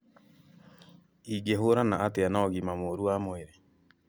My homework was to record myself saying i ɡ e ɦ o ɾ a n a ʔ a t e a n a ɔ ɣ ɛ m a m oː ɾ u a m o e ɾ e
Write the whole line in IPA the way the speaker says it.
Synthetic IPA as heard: i ɡ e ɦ o ɾ a n a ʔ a t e a n a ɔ ɣ i m a m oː ɾ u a m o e ɾ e